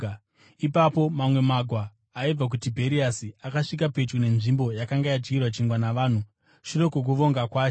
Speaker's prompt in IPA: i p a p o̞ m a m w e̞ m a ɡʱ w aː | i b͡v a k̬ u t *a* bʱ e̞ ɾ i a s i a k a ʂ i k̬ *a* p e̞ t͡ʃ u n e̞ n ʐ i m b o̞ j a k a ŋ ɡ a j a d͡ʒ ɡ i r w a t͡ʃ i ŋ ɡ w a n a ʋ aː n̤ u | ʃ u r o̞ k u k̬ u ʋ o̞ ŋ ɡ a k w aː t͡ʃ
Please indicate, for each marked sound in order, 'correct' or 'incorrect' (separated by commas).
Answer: incorrect, correct